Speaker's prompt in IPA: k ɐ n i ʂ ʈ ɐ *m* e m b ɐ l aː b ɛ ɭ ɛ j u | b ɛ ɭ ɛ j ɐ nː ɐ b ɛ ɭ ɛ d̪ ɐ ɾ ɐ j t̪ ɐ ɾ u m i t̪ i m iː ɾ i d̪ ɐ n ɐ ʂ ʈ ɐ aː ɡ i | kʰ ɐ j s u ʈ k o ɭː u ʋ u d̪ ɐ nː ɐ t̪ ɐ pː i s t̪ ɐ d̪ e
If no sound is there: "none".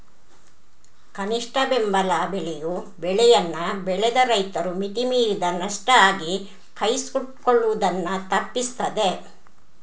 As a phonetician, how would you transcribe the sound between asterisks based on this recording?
b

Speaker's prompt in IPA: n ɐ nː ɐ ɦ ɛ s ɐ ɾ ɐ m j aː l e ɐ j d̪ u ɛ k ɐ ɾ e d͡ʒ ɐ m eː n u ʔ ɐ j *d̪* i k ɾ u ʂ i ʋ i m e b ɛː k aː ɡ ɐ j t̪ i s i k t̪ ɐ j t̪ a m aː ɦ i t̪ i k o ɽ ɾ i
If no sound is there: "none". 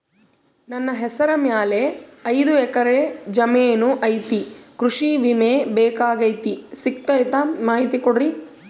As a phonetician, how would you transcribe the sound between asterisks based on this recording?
t̪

